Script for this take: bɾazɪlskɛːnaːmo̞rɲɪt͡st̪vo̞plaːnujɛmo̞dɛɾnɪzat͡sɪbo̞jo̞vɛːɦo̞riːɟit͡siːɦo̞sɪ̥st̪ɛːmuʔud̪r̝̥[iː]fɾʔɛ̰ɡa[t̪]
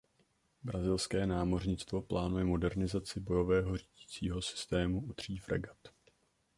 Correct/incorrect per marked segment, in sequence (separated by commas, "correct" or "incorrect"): correct, correct